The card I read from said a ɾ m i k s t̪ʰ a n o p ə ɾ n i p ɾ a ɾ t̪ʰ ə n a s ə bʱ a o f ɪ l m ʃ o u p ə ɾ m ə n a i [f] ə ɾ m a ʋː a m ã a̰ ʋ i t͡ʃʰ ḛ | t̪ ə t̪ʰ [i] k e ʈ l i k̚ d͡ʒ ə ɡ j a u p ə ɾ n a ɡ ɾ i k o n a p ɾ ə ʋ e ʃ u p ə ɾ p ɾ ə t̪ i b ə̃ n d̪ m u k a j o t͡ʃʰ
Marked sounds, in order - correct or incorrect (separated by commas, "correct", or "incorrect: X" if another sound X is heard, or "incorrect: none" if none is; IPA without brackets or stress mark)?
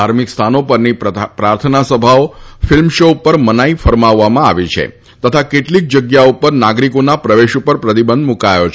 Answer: correct, incorrect: a